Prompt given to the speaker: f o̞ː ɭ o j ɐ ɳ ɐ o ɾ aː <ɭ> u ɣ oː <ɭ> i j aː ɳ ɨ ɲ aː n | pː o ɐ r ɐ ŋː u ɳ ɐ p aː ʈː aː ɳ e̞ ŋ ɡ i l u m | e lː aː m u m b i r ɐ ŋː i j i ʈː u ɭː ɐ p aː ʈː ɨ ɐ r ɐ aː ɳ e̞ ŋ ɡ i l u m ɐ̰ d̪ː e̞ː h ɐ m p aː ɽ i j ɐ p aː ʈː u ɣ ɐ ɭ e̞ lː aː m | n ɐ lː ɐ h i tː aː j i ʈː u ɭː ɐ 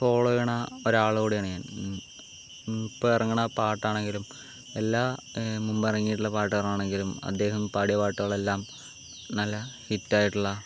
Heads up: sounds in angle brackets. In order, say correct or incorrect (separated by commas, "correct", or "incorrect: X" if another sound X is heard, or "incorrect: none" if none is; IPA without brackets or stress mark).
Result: correct, incorrect: ɽ